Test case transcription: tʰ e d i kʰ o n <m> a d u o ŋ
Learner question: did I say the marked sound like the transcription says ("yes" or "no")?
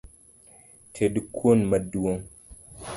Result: yes